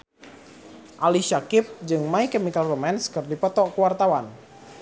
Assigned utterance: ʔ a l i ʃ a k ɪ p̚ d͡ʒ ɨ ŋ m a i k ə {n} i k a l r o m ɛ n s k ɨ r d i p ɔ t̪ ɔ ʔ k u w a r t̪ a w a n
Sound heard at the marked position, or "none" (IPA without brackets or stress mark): m